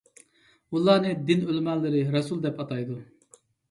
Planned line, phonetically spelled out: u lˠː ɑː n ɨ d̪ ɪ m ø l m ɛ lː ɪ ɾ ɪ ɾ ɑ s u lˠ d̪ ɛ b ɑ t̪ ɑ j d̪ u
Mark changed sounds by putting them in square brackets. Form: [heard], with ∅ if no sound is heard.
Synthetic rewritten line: u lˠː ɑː n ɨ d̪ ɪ [n] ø l m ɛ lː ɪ ɾ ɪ ɾ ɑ s u lˠ d̪ ɛ [p] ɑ t̪ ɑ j d̪ u